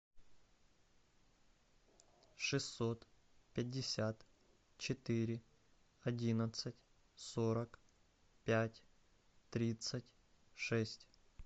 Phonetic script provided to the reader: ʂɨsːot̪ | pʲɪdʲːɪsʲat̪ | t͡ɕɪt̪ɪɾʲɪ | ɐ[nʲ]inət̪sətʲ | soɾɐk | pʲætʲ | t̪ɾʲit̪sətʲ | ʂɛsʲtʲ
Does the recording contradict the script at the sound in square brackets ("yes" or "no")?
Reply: yes